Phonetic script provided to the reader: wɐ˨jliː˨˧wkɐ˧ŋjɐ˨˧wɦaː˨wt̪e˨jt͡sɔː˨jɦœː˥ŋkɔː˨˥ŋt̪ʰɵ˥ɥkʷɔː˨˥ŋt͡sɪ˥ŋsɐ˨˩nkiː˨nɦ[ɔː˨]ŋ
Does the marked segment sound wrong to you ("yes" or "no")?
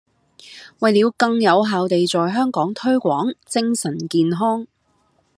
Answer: yes